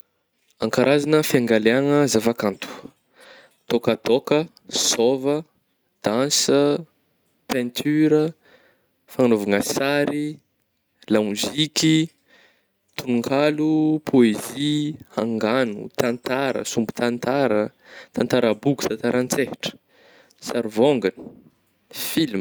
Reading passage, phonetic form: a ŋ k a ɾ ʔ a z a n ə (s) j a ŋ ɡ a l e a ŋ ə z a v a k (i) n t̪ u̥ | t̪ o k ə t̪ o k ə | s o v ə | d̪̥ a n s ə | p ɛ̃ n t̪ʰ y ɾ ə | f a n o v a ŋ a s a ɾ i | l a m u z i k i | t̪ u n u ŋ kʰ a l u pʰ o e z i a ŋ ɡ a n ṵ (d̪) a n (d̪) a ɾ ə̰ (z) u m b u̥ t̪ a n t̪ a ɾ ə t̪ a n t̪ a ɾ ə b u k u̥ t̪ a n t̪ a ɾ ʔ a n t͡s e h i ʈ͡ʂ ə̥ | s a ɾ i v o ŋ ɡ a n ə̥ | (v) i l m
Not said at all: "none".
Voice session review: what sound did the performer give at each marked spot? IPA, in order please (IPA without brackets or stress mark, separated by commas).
f, a, t̪, t̪, s, f